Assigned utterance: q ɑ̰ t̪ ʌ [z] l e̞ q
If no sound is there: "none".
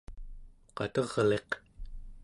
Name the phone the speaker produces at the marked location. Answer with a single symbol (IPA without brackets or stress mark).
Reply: ʁ